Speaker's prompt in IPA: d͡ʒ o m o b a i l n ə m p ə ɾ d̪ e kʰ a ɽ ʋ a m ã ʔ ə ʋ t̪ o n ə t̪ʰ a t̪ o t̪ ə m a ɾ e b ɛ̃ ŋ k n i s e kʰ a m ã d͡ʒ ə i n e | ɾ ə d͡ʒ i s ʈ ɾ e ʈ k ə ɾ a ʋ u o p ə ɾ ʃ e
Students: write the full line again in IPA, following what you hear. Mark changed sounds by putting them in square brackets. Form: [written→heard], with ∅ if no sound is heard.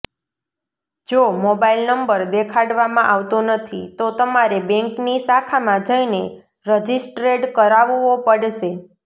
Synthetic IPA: d͡ʒ o m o b a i l n ə m [p→b] ə ɾ d̪ e kʰ a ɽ ʋ a m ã ʔ [ə→a] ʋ t̪ o n ə t̪ʰ [a→i] t̪ o t̪ ə m a ɾ e b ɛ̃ ŋ k n i s [e→a] kʰ a m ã d͡ʒ ə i n e | ɾ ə d͡ʒ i s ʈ ɾ e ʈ k ə ɾ a ʋ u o p ə [ɾ→ɽ] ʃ e

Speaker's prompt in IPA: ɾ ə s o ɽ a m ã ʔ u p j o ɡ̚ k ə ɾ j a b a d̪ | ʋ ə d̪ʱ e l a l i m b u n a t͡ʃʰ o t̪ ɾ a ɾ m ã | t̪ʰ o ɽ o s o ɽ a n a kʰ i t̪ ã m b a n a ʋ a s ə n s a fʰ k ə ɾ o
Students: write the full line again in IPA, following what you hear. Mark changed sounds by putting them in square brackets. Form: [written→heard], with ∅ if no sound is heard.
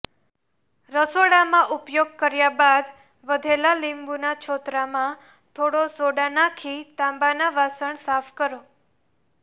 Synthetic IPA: ɾ ə s o ɽ a m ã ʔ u p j o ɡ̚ k ə ɾ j a b a d̪ | ʋ ə d̪ʱ e l a l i m b u n a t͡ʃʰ o t̪ ɾ a [ɾ→∅] m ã | t̪ʰ o ɽ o s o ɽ a n a kʰ i t̪ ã m b a n a ʋ a s ə [n→ɳ] s a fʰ k ə ɾ o

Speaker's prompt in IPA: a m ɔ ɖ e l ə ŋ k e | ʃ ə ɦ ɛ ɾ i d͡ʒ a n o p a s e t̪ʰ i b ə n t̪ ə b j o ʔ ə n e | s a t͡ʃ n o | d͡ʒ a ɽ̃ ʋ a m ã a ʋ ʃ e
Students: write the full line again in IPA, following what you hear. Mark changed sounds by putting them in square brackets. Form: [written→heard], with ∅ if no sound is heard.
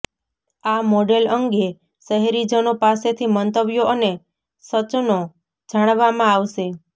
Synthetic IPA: a m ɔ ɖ e l ə ŋ [k→ɡ] e | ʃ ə ɦ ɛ ɾ i d͡ʒ [a→ə] n o p a s e t̪ʰ i [b→m] ə n t̪ ə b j o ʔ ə n e | s [a→ə] t͡ʃ n o | d͡ʒ a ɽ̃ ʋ a m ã a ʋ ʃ e

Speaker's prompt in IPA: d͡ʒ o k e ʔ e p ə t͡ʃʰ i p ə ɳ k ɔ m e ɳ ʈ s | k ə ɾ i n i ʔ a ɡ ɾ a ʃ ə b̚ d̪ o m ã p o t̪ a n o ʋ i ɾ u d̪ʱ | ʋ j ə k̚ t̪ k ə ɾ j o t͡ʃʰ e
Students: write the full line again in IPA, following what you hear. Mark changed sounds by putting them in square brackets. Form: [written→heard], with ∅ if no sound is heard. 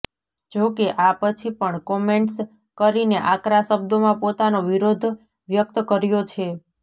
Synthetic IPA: d͡ʒ o k e ʔ [e→a] p ə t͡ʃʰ i p ə ɳ k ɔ m e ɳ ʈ s | k ə ɾ i n [i→e] ʔ a [ɡ→k] ɾ a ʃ ə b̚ d̪ o m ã p o t̪ a n o ʋ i ɾ [u→o] d̪ʱ | ʋ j ə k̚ t̪ k ə ɾ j o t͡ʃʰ e

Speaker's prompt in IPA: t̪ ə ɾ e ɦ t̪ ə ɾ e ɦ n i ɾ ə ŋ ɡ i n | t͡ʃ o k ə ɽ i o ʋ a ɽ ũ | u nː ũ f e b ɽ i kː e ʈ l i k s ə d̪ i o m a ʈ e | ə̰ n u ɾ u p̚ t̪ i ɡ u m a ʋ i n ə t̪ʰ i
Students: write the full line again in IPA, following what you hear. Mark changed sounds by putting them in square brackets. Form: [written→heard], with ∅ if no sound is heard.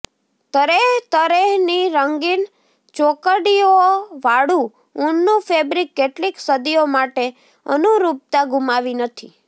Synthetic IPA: t̪ ə ɾ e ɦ t̪ ə ɾ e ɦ n i ɾ ə ŋ ɡ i n | t͡ʃ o k ə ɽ i o ʋ a ɽ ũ | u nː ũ f e b [ɽ→ɾ] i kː e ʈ l i k s ə d̪ i o m a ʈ e | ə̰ n u ɾ u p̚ t̪ [i→a] ɡ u m a ʋ i n ə t̪ʰ i

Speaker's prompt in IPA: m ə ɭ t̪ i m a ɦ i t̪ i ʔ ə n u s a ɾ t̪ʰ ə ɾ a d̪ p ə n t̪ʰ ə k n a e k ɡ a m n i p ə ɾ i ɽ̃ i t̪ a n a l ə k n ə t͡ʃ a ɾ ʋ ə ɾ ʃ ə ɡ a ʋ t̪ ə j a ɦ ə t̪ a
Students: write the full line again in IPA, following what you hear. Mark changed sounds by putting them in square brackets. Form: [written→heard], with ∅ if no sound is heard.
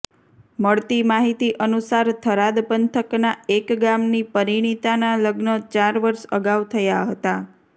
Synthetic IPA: m ə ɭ t̪ i m a ɦ i t̪ i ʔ ə n u s a ɾ t̪ʰ ə ɾ a d̪ p ə n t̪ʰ ə k n a e k ɡ a m n i p ə ɾ i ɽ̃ i t̪ a n a l ə [k→ɡ] n ə t͡ʃ a ɾ ʋ ə ɾ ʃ ə ɡ a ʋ [t̪→t̪ʰ] ə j a ɦ ə t̪ a

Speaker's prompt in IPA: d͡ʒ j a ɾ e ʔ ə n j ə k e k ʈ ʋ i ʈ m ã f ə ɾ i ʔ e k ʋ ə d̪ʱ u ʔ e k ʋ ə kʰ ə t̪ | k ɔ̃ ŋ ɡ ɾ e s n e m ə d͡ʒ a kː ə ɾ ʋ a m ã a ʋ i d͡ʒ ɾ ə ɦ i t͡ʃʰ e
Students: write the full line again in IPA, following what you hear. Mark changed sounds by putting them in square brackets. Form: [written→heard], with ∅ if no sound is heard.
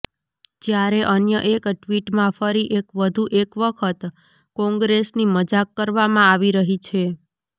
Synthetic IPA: d͡ʒ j a ɾ e ʔ ə n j ə [k→ʔ] e k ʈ ʋ i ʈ m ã f ə ɾ i ʔ e k ʋ ə d̪ʱ u ʔ e k ʋ ə kʰ ə t̪ | k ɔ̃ ŋ ɡ ɾ e s n [e→i] m ə d͡ʒ a kː ə ɾ ʋ a m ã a ʋ i [d͡ʒ→∅] ɾ ə ɦ i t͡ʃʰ e

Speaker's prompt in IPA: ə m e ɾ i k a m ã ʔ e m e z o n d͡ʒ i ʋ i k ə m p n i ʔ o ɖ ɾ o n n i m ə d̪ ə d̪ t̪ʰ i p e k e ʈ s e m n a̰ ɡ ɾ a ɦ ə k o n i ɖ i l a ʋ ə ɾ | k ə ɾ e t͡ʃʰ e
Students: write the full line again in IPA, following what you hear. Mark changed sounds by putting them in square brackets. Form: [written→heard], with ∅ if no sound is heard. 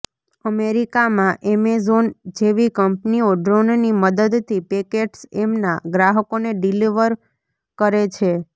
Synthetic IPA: ə m e ɾ i k a m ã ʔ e m e z o n d͡ʒ [i→e] ʋ i k ə m p n i [ʔ→∅] o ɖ ɾ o n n i m ə d̪ ə d̪ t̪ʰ i p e k e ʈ s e m n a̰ ɡ ɾ a ɦ ə k o n [i→e] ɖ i l [a→i] ʋ ə ɾ | k ə ɾ e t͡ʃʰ e

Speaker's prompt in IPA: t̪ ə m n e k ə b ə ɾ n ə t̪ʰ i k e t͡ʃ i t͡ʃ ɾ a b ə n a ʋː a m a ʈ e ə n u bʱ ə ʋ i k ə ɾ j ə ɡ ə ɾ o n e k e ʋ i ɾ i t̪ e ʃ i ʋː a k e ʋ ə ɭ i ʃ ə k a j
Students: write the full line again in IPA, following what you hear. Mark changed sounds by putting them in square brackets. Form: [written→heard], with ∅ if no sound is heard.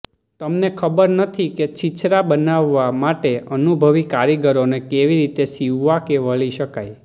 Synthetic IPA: t̪ ə m n e [k→kʰ] ə b ə ɾ n ə t̪ʰ i k e t͡ʃ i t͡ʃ ɾ a b ə n a ʋː a m a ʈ e ə n u bʱ ə ʋ i k [ə→a] ɾ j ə ɡ ə ɾ o n e k e ʋ i ɾ i t̪ e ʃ i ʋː a k e ʋ ə ɭ i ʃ ə k a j

